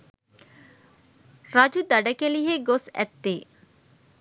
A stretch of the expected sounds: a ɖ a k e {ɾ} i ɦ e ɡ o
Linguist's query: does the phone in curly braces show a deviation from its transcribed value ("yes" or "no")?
yes